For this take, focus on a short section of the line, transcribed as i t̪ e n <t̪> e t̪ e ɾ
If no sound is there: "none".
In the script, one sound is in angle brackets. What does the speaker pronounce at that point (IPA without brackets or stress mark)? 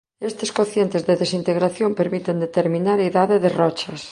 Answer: d̪